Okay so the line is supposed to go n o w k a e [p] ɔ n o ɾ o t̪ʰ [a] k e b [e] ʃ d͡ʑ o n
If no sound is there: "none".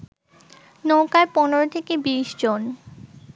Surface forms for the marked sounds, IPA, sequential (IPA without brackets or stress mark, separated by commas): p, e, i